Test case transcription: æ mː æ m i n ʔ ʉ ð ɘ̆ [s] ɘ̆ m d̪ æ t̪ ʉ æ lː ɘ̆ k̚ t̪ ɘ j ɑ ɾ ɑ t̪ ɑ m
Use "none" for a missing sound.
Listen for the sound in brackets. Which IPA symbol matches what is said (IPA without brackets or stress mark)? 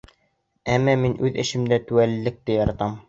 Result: ʃ